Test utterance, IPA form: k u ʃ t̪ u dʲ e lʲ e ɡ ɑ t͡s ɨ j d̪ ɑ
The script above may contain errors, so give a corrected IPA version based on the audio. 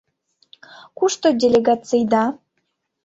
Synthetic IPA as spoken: k u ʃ t̪ o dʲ e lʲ e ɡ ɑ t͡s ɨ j d̪ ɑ

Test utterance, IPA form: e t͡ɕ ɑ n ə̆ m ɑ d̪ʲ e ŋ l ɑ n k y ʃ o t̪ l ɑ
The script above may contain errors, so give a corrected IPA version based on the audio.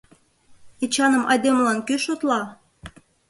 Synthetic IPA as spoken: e t͡ɕ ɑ n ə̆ m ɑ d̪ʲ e m l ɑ n k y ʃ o t̪ l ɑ

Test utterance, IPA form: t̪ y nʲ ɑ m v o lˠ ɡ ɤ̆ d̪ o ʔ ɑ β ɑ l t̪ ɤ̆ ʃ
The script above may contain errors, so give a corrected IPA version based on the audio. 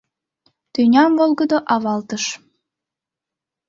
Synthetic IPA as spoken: t̪ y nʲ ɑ m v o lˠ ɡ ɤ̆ d̪ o ʔ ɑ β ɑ l t̪ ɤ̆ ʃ

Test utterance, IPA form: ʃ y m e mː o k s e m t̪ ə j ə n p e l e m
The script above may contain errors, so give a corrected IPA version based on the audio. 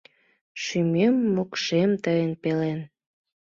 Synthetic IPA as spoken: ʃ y m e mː o k ʃ e m t̪ ə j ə n p e l e n

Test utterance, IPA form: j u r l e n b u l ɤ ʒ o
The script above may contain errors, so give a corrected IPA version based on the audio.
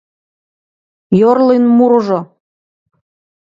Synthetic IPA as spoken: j o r l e n m u ɾ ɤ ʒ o

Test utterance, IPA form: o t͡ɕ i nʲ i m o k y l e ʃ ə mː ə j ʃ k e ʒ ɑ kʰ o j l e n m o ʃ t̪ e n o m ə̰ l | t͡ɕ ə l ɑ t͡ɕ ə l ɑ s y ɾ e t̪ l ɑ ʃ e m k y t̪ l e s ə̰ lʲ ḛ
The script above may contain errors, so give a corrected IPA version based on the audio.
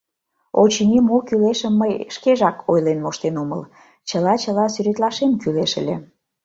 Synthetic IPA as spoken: o t͡ɕ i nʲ i m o k y l e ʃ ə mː ə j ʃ k e ʒ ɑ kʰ o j l e n m o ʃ t̪ e n o m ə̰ l | t͡ɕ ə l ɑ t͡ɕ ə l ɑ s y ɾ e t̪ l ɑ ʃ e m k y l e ʃ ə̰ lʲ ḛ

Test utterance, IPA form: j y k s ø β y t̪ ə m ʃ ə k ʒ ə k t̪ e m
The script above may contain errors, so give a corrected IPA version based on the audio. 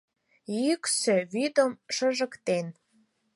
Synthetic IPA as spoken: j y k s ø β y d̪ ə m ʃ ə ʒ ə k t̪ e n

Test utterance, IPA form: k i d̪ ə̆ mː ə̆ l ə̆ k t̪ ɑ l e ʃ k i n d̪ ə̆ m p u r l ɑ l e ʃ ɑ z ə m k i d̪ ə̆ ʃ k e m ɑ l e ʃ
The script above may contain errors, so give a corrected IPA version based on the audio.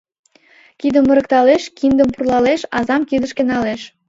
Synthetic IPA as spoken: k i d̪ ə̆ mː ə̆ ɾ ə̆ k t̪ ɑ l e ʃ k i n d̪ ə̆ m p u r l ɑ l e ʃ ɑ z ɑ m k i d̪ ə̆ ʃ k e n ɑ l e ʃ

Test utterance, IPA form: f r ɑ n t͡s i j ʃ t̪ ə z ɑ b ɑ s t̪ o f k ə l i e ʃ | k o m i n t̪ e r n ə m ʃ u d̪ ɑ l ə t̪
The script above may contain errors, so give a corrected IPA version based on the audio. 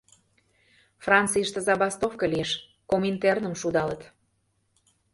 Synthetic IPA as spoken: f r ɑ n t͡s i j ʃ t̪ ə z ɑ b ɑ s t̪ o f k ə l i e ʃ | k o m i n t̪ e r n ə m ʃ u d̪ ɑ l ə t̪

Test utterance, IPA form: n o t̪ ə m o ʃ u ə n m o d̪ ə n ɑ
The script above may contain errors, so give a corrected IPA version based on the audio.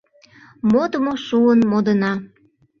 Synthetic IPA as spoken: m o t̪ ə m o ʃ u ə n m o d̪ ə n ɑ

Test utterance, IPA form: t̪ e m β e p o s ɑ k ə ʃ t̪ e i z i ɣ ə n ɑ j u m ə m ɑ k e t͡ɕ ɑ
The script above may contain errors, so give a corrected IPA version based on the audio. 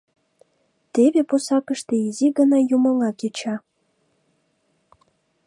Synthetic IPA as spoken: t̪ e β e p o s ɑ k ə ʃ t̪ e i z i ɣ ə n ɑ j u m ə ŋ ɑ k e t͡ɕ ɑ

